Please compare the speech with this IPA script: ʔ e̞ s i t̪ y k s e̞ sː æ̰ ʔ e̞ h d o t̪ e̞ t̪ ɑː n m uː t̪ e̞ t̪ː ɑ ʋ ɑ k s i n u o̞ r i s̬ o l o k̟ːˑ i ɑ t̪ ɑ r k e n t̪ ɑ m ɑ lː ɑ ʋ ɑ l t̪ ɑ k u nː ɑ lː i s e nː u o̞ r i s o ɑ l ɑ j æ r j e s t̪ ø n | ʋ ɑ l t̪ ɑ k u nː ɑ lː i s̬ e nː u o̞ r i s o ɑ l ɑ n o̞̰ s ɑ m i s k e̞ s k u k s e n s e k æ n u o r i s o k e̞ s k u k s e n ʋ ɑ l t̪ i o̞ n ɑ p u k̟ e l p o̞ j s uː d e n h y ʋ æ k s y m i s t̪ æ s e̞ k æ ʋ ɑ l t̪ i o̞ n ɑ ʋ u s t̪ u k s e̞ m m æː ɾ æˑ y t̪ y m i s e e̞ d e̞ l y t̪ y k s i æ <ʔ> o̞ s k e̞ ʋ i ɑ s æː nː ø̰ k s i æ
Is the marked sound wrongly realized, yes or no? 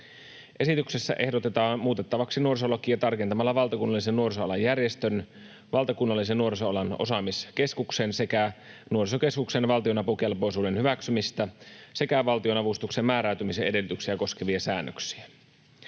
yes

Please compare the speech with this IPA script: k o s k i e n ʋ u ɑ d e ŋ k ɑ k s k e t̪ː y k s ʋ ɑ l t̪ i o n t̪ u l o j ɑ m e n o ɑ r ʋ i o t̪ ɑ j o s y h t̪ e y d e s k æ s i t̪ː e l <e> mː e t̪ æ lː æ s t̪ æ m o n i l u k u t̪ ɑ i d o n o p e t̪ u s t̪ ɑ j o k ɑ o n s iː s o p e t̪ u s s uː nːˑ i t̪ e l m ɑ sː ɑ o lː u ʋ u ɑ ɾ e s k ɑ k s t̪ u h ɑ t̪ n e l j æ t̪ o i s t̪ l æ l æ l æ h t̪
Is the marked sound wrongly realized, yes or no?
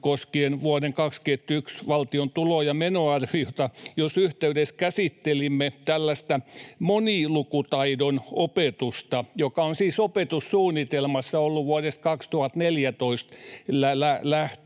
yes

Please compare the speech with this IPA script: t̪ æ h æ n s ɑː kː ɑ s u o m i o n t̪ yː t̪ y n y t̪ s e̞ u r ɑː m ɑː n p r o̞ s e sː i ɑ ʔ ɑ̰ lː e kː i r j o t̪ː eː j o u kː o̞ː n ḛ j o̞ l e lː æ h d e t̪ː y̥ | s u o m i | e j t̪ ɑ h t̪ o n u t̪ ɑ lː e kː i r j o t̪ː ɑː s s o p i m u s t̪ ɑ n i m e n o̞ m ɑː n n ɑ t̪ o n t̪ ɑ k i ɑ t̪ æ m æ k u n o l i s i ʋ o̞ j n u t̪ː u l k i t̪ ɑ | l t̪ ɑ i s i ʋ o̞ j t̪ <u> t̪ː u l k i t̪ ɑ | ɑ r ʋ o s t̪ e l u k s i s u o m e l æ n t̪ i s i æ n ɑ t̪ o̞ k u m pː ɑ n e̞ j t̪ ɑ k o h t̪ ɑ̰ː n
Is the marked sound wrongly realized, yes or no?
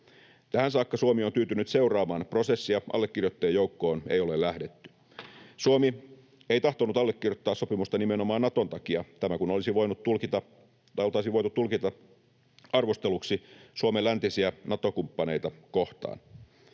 no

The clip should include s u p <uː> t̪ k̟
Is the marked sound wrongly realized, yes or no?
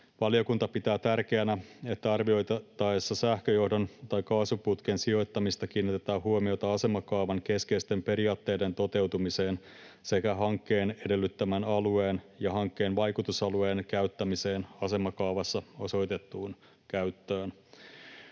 yes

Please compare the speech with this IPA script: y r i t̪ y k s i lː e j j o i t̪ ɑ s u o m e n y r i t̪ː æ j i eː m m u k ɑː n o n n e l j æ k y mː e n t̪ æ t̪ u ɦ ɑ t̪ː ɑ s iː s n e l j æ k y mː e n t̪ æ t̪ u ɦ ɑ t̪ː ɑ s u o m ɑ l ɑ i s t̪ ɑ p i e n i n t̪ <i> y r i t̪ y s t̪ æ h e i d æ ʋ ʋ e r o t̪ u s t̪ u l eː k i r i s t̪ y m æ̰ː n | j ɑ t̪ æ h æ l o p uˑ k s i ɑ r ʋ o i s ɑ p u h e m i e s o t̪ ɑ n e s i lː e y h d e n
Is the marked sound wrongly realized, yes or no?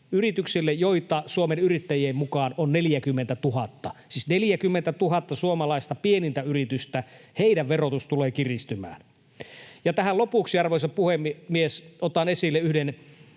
yes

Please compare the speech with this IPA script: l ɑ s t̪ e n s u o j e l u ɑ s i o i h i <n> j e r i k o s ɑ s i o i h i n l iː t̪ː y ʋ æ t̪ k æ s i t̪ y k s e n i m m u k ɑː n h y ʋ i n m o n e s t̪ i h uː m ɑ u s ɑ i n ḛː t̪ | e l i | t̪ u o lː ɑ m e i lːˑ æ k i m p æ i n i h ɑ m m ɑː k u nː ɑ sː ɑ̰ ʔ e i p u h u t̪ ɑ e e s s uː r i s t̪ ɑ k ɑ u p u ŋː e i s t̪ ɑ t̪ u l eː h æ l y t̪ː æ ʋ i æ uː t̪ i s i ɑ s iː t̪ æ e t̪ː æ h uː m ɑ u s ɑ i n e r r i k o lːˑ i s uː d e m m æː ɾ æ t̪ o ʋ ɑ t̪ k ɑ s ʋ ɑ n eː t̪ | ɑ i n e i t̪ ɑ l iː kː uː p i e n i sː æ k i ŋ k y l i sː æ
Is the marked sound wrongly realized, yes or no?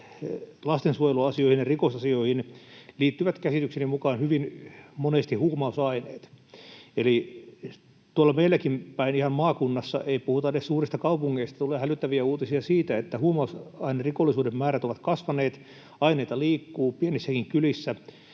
no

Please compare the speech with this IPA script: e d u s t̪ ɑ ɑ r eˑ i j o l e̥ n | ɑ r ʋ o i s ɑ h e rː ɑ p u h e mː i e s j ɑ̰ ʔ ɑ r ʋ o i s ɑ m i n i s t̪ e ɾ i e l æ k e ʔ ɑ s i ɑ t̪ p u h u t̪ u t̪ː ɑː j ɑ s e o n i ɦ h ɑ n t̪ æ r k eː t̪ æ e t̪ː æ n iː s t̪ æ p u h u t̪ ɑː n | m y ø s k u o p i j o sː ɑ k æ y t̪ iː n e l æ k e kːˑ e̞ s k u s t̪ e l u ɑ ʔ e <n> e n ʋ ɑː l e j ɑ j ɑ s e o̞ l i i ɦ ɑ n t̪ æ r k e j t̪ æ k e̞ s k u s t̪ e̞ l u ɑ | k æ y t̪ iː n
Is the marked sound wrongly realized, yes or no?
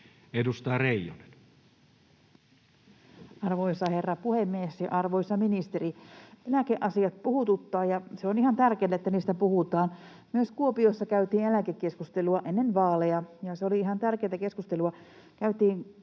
yes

